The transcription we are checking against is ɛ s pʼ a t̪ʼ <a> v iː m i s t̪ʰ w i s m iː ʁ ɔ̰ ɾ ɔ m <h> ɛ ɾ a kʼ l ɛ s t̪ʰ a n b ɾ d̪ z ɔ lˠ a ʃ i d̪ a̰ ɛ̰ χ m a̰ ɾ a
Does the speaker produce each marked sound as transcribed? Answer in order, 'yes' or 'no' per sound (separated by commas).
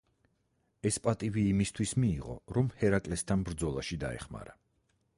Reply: no, yes